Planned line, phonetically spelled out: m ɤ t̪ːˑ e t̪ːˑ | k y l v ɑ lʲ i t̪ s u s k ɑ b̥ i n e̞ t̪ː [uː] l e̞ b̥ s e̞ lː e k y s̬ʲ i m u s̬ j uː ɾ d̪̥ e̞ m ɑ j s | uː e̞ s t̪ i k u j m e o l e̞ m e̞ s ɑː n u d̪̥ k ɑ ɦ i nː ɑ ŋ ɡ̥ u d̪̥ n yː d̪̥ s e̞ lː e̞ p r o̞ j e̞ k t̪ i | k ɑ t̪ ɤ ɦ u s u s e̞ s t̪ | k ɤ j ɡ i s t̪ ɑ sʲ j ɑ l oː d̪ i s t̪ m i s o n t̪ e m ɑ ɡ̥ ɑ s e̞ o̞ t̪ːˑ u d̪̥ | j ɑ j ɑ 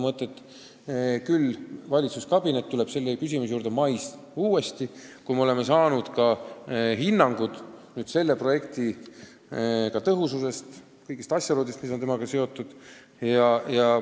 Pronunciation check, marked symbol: incorrect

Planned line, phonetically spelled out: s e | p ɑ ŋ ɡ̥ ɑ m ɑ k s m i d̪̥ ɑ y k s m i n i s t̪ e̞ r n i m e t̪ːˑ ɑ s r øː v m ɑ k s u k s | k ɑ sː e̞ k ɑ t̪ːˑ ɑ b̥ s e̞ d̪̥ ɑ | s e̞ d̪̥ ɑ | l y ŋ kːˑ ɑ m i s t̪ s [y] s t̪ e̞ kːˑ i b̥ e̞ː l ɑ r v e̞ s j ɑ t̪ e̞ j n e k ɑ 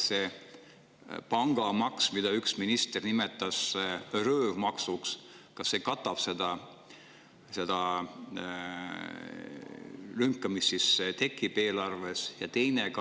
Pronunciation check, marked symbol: incorrect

